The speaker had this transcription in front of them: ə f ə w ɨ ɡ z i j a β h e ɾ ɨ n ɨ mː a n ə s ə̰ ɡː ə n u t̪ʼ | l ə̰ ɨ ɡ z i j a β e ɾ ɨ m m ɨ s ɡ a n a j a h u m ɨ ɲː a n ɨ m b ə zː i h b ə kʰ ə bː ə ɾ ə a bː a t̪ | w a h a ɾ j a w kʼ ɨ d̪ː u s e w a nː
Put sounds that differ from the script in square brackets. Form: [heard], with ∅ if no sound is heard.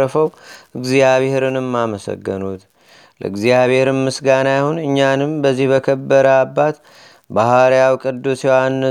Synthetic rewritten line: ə f ə w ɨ ɡ z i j a β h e ɾ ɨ n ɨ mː a [m] ə s ə̰ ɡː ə n u [t̪] | l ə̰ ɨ ɡ z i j a β e ɾ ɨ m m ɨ s ɡ a n a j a h u [n] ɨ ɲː a n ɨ m b ə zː i h b ə kʰ ə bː ə ɾ ə a bː a t̪ | [b] a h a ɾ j a w kʼ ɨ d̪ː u s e w a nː